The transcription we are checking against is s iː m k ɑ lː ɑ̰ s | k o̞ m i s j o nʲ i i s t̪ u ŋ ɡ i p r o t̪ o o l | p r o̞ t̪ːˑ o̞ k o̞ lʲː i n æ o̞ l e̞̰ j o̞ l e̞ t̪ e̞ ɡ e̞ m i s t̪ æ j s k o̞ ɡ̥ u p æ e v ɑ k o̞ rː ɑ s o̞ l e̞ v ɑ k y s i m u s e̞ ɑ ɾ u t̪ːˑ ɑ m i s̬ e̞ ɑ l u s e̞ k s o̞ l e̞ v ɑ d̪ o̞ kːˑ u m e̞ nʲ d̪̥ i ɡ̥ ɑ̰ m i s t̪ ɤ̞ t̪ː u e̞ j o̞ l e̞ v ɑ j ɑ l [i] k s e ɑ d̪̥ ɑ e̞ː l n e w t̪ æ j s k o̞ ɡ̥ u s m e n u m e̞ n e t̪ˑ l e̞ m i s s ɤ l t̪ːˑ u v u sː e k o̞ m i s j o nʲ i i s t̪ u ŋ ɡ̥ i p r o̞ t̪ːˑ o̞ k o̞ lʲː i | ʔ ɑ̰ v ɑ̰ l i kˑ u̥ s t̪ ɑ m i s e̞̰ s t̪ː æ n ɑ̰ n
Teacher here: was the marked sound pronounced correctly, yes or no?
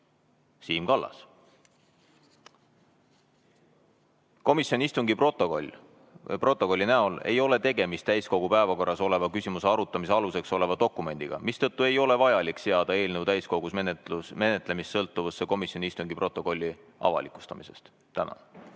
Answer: yes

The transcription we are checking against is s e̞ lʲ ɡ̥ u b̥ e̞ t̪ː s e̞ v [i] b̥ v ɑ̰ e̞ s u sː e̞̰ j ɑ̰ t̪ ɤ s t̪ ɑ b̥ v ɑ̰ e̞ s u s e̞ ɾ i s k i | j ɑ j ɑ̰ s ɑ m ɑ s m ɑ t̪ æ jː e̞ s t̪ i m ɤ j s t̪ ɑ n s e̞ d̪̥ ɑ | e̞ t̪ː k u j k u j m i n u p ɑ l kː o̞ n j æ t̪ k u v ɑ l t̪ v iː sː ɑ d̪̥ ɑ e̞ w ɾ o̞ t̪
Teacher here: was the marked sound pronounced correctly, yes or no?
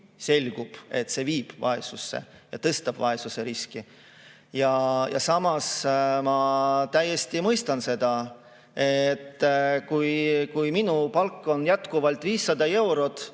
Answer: no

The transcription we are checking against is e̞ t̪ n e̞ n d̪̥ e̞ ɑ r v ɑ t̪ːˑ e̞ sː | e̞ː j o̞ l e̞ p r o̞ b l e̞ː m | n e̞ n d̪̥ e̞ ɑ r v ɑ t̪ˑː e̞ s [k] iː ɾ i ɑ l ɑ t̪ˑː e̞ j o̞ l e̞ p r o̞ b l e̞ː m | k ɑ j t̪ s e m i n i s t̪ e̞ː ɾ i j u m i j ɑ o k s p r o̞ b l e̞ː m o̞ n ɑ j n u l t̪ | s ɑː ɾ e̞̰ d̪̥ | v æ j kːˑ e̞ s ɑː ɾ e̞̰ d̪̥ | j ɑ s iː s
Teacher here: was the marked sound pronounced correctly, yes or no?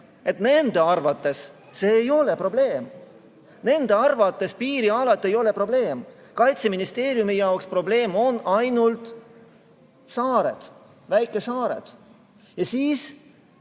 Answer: no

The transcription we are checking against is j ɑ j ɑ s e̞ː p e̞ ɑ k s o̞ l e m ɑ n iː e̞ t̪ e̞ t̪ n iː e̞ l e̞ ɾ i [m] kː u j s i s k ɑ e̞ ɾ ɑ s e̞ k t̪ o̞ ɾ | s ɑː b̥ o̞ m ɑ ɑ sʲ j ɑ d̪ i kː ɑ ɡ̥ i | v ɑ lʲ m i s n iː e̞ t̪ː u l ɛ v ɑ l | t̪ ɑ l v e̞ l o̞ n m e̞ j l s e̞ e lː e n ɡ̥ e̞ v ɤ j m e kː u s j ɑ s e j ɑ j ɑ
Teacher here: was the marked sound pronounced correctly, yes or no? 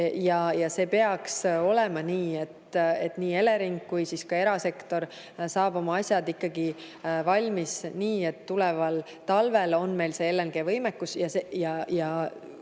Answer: no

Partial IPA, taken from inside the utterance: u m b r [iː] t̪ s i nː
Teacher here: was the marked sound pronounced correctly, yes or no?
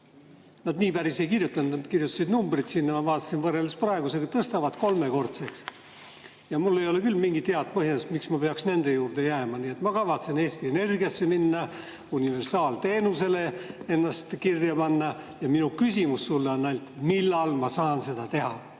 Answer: no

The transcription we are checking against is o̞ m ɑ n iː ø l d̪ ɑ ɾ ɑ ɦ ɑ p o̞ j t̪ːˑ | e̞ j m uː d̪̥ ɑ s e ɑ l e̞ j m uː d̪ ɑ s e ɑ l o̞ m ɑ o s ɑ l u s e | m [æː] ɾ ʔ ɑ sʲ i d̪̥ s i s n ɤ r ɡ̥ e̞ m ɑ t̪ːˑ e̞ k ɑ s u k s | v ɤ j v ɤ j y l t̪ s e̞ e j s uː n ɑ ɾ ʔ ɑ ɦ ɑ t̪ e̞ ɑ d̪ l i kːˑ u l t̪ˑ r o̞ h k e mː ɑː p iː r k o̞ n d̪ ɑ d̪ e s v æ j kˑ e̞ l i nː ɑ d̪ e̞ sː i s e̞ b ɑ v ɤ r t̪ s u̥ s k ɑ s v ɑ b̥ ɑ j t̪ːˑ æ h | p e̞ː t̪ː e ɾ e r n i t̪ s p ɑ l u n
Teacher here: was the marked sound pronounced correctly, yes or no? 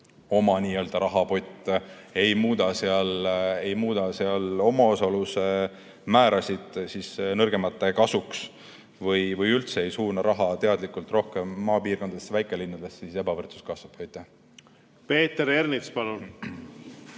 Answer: yes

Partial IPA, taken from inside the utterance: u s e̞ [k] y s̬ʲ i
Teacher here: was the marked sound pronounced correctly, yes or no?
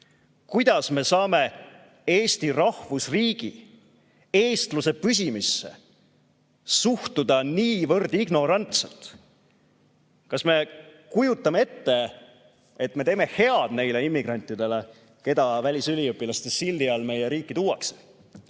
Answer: no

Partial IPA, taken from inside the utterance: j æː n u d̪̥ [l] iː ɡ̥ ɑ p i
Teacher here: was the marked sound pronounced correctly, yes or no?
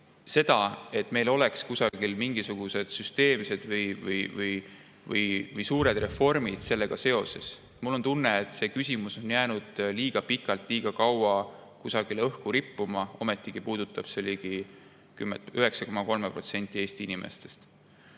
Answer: yes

